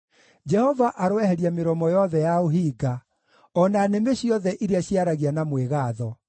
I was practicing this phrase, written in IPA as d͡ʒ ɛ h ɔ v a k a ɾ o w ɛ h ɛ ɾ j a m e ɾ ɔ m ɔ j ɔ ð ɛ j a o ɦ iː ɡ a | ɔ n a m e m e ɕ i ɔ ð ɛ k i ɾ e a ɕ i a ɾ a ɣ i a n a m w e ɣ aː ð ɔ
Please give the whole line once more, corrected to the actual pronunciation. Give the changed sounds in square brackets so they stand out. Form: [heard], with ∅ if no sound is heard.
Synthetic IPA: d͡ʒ ɛ h ɔ v a [ʔ] a ɾ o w ɛ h ɛ ɾ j a m e ɾ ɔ m ɔ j ɔ ð ɛ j a o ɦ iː ɡ a | ɔ n a [n] e m e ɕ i ɔ ð ɛ [ʔ] i ɾ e a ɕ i a ɾ a ɣ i a n a m w e ɣ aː ð ɔ

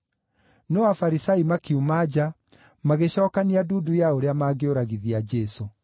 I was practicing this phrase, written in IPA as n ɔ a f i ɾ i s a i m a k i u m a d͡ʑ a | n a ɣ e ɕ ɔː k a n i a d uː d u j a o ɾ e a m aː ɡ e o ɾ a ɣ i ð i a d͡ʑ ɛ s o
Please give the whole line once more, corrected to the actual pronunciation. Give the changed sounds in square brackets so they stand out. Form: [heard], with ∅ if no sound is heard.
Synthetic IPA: n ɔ a f [a] ɾ i s a i m a k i u m a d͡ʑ a | [m] a ɣ e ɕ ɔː k a n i a d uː d u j a o ɾ e a m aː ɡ e o ɾ a ɣ i ð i a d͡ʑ ɛ s o

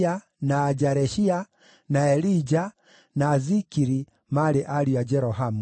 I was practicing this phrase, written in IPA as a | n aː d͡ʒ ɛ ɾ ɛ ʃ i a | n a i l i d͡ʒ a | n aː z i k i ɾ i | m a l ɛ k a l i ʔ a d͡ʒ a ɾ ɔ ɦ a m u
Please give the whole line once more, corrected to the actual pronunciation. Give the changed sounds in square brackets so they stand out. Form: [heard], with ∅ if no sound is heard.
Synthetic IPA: a | n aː d͡ʒ [a] ɾ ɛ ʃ i a | n a [ɛ] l i d͡ʒ a | n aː z i k i ɾ i | m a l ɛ [ʔ] a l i [∅] a d͡ʒ [ɛ] ɾ ɔ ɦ a m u

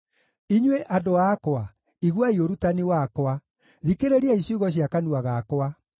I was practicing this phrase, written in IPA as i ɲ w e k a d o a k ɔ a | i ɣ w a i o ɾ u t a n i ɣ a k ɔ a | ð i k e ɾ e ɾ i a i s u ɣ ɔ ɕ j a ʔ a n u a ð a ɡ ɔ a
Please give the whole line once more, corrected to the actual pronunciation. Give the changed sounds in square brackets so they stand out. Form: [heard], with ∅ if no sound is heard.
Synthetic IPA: i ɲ w e [ʔ] a d o a k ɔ a | i ɣ w a i o ɾ u t a n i [w] a k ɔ a | ð i k e ɾ e ɾ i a i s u ɣ ɔ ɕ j a [k] a n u a [ɣ] a [k] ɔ a

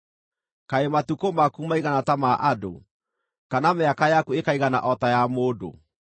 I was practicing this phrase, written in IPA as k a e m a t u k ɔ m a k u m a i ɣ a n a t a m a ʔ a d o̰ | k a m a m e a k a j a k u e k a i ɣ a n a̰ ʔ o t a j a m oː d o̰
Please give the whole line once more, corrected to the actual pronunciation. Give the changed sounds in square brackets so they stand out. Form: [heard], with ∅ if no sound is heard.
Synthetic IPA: k a e m a t u k [o] m a k u m a i ɣ a n a t a m a ʔ a d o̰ | k a [n] a m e a k a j a k u e k a i ɣ a n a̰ ʔ [ɔ] t a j a m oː d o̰

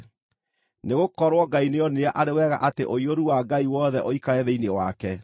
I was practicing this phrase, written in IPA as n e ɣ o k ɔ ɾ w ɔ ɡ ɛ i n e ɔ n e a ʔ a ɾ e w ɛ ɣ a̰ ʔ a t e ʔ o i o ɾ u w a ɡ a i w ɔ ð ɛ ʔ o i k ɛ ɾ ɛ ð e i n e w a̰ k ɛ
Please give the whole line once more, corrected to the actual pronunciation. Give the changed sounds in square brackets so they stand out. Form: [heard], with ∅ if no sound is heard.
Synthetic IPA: n e ɣ o k ɔ ɾ w ɔ ɡ [a] i n e ɔ n e a ʔ a ɾ e w ɛ ɣ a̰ ʔ a t e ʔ o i o ɾ u w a ɡ a i w ɔ ð ɛ ʔ o i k [a] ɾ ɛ ð e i n e w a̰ k ɛ

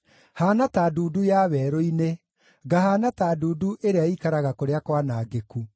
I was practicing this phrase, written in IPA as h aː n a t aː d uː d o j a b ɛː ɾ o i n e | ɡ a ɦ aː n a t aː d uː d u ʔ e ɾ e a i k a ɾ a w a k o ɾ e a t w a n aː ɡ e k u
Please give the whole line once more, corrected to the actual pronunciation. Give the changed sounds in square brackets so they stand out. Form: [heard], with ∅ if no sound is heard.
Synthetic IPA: h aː n a t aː d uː d [u] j a [β] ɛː ɾ o i n e | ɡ a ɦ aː n a t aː d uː d u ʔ e ɾ e a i k a ɾ a [ɣ] a k o ɾ e a [k] w a n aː ɡ e k u

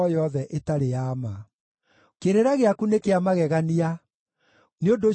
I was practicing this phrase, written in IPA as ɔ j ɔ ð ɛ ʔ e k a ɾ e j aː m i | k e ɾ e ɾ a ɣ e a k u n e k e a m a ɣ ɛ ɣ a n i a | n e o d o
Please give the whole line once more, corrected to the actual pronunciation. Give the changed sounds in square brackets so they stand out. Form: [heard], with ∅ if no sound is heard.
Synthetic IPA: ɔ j ɔ ð ɛ ʔ e [t] a ɾ e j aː m [a] | k e ɾ e ɾ a ɣ e a k u n e k e a m a ɣ ɛ ɣ a n i a | n e o d o

